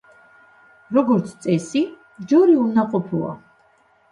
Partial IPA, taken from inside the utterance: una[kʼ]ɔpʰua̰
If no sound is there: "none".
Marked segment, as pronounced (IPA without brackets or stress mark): qʼ